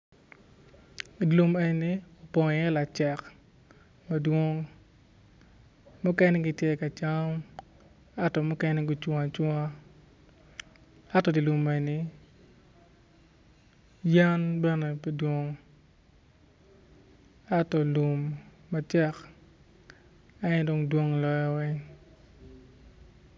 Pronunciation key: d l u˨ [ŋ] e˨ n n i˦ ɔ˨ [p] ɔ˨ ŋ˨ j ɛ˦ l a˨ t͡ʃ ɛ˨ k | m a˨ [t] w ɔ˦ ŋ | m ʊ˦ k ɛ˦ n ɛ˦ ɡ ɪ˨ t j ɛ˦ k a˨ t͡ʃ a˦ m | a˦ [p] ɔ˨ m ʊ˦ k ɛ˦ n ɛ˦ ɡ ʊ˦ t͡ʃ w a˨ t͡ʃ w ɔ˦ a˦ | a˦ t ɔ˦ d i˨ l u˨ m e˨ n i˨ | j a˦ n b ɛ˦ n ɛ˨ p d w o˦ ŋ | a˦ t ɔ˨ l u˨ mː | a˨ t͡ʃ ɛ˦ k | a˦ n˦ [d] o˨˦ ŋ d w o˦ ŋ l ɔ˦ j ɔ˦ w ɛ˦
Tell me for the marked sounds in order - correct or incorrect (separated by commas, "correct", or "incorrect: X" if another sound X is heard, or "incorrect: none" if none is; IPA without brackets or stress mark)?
incorrect: m, correct, incorrect: d, incorrect: t, correct